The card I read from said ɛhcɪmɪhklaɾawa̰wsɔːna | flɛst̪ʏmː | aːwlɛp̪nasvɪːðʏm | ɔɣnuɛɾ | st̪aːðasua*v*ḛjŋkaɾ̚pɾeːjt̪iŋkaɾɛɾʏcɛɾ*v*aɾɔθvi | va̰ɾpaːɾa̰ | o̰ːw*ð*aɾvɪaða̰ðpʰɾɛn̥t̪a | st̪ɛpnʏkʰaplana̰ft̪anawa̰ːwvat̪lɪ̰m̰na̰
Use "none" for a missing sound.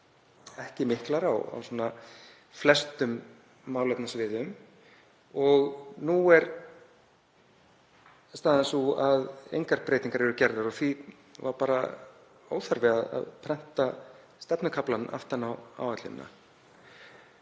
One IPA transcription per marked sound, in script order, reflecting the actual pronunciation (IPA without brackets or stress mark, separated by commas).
ð, ð, θ